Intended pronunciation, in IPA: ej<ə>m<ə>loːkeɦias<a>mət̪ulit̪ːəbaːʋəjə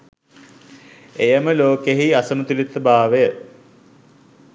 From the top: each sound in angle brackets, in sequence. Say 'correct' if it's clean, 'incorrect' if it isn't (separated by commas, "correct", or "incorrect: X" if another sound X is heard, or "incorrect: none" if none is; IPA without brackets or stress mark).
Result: correct, correct, incorrect: ə